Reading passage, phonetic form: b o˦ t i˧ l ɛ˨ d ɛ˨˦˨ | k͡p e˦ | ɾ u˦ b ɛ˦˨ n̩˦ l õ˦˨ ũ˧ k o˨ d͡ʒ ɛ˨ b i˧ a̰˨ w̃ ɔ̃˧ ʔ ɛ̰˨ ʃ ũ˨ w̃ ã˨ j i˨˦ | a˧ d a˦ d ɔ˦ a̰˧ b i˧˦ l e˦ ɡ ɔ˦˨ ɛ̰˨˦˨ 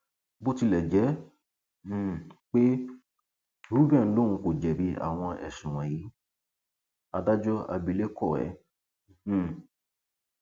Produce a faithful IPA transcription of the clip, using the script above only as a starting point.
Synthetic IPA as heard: b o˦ t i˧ l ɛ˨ d͡ʒ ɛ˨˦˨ | k͡p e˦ | ɾ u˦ b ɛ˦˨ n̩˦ l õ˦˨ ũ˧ k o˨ d͡ʒ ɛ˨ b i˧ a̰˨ w̃ ɔ̃˧ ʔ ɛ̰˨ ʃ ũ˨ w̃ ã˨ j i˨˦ | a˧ d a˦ d͡ʒ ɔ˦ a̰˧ b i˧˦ l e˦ k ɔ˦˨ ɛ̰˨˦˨